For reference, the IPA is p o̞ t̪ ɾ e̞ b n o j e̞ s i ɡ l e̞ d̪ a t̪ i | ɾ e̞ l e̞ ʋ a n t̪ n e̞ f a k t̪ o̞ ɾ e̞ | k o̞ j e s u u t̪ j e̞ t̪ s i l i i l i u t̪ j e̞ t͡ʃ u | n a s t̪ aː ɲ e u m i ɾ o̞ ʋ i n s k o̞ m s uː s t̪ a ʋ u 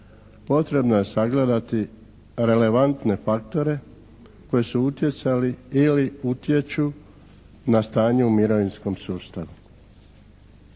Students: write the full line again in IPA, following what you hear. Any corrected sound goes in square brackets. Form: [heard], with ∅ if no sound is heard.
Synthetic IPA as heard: p o̞ t̪ ɾ e̞ b n o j e̞ s [a] ɡ l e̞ d̪ a t̪ i | ɾ e̞ l e̞ ʋ a n t̪ n e̞ f a k t̪ o̞ ɾ e̞ | k o̞ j e s u u t̪ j e̞ t̪ s [a] l i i l i u t̪ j e̞ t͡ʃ u | n a s t̪ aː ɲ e u m i ɾ o̞ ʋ i n s k o̞ m s uː s t̪ a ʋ u